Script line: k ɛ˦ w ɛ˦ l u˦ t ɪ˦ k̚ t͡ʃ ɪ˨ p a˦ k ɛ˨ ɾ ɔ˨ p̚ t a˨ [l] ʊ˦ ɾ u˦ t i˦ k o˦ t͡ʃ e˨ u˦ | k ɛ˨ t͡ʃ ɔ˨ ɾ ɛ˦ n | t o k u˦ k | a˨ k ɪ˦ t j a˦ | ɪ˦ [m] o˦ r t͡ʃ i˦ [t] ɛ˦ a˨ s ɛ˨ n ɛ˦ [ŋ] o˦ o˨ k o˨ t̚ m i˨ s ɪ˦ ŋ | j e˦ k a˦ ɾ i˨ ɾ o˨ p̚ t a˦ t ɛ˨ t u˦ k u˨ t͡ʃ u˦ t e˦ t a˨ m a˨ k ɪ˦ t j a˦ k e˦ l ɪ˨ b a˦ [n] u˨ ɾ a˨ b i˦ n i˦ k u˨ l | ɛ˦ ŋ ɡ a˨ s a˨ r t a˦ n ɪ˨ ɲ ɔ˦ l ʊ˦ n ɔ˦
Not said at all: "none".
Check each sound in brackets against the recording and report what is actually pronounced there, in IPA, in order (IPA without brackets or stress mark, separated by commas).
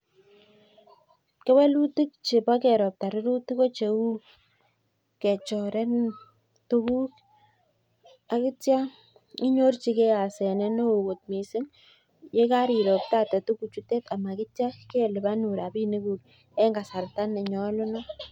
ɾ, ɲ, k, n, n